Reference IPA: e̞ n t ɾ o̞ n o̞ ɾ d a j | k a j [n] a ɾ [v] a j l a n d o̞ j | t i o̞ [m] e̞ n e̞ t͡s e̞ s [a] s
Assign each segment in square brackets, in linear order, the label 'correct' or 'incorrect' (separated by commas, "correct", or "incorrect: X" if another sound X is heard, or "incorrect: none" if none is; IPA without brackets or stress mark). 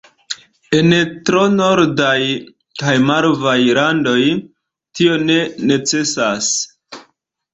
incorrect: m, correct, incorrect: n, correct